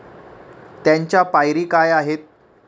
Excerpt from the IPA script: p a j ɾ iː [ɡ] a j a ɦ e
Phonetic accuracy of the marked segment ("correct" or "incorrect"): incorrect